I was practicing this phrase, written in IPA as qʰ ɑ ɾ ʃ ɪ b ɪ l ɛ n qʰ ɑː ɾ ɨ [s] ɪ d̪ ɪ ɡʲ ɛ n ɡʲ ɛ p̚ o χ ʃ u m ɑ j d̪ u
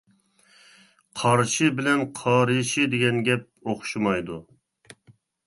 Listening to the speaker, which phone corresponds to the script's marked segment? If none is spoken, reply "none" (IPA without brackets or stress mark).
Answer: ʃ